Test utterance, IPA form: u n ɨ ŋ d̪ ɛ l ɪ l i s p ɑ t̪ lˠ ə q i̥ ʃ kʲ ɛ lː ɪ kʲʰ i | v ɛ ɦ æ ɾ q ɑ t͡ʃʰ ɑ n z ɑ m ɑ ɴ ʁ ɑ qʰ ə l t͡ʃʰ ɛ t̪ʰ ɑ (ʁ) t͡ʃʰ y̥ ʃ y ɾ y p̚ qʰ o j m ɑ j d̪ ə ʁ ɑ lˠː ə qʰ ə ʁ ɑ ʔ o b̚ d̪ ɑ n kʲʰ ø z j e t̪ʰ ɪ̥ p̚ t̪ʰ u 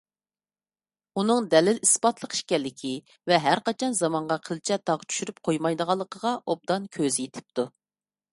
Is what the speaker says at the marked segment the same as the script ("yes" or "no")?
yes